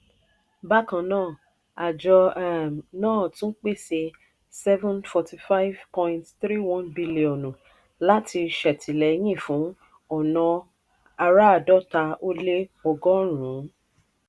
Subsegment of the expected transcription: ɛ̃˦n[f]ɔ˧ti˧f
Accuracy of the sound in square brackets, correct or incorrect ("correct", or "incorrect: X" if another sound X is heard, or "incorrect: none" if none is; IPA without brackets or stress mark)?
correct